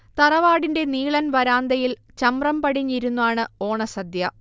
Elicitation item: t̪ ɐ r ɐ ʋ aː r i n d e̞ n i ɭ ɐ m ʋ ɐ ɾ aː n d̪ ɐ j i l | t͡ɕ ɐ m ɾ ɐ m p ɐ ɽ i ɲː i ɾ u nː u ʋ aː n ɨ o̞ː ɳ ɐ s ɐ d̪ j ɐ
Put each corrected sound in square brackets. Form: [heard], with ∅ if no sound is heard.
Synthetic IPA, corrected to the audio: t̪ ɐ r ɐ ʋ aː [ɽ] i n d e̞ n [iː] ɭ ɐ [n] ʋ ɐ ɾ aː n d̪ ɐ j i l | t͡ɕ ɐ m [r] ɐ m p ɐ ɽ i ɲː i ɾ u nː u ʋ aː [ɳ] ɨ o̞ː ɳ ɐ s ɐ d̪ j ɐ